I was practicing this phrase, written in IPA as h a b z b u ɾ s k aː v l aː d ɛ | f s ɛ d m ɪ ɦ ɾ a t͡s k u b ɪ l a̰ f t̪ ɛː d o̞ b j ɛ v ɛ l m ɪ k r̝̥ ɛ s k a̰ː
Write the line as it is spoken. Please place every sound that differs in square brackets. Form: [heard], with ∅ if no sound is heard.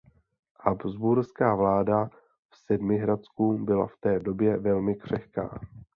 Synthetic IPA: h a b z b u ɾ s k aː v l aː d [a] | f s ɛ d m ɪ ɦ ɾ a t͡s k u b ɪ l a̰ f t̪ ɛː d o̞ b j ɛ v ɛ l m ɪ k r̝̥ ɛ [x] k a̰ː